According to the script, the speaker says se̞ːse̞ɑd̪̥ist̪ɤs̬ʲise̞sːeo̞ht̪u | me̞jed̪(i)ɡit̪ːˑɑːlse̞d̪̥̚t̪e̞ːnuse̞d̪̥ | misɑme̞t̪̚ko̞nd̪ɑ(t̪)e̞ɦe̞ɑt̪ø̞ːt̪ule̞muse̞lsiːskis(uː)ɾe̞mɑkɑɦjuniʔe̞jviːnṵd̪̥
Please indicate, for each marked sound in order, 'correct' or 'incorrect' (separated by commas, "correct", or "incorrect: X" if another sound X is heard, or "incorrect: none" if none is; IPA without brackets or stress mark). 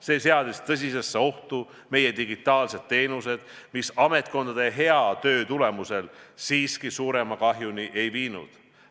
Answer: correct, incorrect: d̪, correct